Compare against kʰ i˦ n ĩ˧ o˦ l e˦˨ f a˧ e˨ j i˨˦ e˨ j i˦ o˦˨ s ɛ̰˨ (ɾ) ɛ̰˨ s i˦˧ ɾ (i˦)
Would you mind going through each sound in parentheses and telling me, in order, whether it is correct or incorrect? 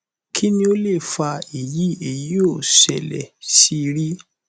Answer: incorrect, correct

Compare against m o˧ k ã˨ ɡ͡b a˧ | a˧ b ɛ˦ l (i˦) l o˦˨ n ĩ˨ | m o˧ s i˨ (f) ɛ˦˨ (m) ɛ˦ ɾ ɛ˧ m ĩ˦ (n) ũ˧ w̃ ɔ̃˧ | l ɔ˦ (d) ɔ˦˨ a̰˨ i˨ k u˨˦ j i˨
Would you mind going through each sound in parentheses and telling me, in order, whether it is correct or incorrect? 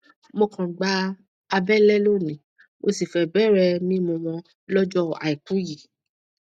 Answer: incorrect, correct, incorrect, incorrect, incorrect

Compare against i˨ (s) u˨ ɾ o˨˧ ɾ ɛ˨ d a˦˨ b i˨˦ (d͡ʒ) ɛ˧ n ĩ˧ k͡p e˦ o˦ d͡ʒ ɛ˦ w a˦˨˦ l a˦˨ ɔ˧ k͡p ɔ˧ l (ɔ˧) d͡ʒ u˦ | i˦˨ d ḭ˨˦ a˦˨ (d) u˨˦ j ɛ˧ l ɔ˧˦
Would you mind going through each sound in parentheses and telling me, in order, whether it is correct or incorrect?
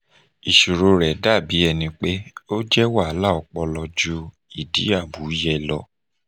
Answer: incorrect, incorrect, correct, incorrect

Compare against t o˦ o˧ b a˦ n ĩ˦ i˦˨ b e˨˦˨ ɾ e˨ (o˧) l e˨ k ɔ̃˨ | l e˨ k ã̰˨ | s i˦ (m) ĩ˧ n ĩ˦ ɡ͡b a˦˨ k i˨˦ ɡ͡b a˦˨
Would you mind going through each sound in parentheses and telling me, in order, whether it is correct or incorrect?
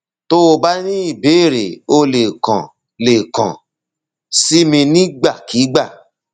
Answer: correct, correct

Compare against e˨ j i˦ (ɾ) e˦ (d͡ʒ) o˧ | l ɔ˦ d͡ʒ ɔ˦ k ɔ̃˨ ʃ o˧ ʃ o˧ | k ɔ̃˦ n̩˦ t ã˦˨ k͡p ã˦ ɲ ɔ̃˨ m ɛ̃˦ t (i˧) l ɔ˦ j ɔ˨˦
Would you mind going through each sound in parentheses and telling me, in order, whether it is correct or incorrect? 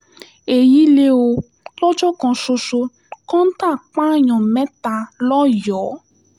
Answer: incorrect, incorrect, incorrect

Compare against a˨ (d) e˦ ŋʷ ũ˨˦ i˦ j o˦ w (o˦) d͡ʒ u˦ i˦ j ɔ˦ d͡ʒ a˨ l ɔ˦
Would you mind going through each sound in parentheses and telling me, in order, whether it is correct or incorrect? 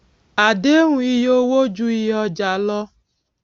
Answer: correct, correct

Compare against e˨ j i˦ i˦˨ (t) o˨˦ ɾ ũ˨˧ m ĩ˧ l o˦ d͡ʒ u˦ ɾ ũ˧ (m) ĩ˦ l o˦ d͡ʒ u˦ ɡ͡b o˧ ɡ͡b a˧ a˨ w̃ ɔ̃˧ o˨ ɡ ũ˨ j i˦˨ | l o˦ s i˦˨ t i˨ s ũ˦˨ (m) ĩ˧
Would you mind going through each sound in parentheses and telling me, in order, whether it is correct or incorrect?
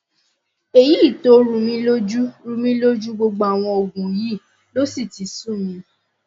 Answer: correct, correct, correct

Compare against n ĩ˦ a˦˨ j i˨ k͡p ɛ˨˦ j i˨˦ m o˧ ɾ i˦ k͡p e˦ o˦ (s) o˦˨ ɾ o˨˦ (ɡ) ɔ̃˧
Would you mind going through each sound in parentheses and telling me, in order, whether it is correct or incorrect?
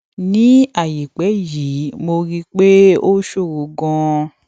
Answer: incorrect, correct

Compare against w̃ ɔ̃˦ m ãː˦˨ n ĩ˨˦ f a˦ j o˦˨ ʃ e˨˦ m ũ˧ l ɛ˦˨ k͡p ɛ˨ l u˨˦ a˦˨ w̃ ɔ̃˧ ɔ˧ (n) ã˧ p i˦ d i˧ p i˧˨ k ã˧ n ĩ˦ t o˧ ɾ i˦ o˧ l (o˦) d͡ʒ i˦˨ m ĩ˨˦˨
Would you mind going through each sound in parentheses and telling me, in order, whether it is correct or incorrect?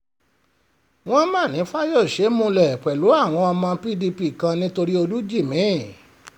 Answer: incorrect, incorrect

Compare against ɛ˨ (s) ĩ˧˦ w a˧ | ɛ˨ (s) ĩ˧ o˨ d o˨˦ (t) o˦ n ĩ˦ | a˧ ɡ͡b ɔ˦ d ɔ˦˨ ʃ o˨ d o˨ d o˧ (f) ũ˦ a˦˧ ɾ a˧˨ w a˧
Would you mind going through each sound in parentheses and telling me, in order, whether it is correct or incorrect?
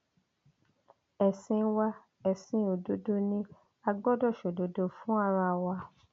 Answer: correct, correct, incorrect, correct

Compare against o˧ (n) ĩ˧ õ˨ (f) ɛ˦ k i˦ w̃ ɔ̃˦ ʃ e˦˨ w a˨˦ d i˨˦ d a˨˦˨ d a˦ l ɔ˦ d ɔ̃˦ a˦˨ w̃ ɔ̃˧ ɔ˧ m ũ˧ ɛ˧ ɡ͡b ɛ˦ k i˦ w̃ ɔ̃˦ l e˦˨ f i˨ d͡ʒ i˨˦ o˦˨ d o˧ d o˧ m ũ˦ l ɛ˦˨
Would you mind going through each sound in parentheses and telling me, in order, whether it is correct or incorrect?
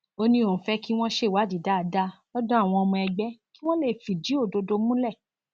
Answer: correct, correct

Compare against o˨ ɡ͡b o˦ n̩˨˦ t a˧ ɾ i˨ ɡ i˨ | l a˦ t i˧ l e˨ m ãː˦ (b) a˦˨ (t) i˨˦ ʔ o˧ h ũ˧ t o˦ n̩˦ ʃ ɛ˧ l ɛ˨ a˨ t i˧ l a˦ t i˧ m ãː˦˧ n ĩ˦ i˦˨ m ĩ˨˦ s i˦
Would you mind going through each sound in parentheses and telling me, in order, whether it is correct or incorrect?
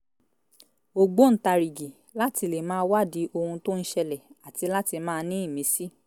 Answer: incorrect, incorrect

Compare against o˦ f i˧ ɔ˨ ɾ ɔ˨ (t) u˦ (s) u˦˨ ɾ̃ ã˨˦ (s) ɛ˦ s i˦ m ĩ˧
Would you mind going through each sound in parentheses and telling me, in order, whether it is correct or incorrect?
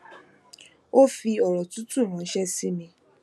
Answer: correct, incorrect, incorrect

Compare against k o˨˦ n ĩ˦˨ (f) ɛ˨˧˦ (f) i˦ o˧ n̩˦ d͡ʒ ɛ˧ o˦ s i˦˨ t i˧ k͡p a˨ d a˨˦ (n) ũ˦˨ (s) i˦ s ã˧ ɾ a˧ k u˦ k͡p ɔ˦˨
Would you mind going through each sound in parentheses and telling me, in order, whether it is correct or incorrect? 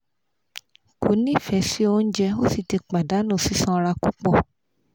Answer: correct, incorrect, correct, correct

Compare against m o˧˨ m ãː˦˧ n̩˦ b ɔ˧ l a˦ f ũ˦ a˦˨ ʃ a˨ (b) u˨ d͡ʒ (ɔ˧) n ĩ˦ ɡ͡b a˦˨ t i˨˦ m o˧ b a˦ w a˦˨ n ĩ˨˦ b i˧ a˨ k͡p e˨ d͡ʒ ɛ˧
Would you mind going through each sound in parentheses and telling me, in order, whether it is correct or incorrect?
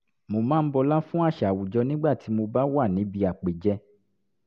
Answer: incorrect, correct

